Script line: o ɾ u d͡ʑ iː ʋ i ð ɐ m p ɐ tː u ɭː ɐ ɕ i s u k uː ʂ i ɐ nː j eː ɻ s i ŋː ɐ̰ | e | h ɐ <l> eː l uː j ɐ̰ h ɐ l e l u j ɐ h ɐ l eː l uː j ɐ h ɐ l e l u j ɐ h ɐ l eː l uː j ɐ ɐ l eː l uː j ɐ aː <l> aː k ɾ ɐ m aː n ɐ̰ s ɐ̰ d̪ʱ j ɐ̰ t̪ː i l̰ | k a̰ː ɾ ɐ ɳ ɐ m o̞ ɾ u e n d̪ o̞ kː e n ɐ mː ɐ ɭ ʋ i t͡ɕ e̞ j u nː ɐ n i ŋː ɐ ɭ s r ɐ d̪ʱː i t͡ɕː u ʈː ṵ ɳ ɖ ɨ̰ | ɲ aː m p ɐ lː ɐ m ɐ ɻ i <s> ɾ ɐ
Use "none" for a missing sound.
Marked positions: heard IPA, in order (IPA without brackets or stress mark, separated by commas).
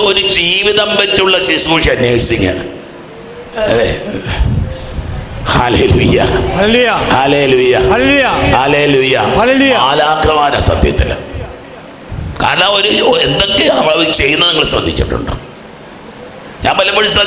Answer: l, l, s